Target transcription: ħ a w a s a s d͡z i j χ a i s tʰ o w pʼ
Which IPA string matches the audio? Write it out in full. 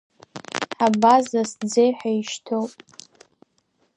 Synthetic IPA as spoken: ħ a b a z a s d͡z e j ħ a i ʃ tʰ o w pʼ